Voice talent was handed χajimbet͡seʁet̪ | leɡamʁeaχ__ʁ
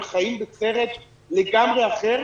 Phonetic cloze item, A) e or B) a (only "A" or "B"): A